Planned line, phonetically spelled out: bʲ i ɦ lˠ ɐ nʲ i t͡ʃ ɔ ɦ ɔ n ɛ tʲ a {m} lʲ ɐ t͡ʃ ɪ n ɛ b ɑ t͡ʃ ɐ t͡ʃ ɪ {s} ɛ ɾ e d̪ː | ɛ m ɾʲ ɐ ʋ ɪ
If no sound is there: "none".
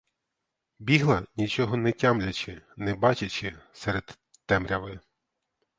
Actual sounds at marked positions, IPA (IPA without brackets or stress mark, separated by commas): m, s